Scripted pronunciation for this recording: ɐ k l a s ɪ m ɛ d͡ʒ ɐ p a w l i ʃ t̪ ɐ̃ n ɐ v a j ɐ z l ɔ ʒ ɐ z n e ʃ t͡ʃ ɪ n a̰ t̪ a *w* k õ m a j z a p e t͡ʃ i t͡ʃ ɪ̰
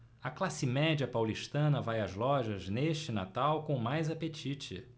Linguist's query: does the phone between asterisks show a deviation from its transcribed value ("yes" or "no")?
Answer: no